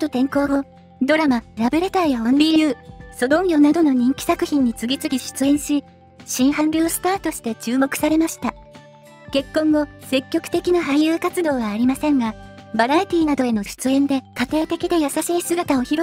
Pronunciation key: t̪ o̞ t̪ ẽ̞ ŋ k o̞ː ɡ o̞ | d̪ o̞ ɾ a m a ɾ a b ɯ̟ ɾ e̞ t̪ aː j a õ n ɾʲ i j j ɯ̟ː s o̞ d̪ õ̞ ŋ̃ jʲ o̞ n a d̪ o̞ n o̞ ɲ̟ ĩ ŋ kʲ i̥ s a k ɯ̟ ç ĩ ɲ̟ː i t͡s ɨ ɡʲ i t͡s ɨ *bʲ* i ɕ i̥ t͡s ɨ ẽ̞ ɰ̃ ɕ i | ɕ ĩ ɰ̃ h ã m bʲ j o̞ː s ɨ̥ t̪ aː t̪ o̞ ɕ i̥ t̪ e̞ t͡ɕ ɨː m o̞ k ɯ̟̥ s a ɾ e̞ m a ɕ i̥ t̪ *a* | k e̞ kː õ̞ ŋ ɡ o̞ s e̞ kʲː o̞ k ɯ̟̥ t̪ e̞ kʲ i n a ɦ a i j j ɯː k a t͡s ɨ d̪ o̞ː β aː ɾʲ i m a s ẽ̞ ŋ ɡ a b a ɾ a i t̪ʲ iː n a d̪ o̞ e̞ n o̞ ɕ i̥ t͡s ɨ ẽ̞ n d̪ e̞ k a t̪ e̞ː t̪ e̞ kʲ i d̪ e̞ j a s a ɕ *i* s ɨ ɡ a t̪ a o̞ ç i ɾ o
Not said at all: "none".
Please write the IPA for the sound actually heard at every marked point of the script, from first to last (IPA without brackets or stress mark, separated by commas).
ɡʲ, a, iː